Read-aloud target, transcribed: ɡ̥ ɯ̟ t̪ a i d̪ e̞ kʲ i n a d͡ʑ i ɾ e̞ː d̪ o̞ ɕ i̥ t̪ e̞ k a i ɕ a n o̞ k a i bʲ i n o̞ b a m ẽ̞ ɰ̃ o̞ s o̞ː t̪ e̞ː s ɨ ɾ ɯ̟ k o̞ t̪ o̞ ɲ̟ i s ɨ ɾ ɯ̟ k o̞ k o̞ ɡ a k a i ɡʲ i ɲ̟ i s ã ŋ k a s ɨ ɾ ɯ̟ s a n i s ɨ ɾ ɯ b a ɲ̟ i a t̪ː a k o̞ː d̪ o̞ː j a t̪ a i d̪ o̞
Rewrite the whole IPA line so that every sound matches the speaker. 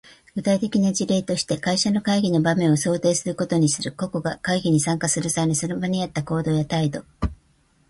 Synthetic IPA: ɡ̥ ɯ̟ t̪ a i t̪ e̞ kʲ i n a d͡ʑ i ɾ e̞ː t̪ o̞ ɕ i̥ t̪ e̞ k a i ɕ a n o̞ k a i ɡʲ i n o̞ b a m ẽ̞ ɰ̃ o̞ s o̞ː t̪ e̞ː s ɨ ɾ ɯ̟ k o̞ t̪ o̞ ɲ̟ i s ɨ ɾ ɯ̟ k o̞ k o̞ ɡ a k a i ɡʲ i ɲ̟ i s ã ŋ k a s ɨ ɾ ɯ̟ s a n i s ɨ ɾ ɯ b a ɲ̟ i a t̪ː a k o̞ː d̪ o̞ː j a t̪ a i d̪ o̞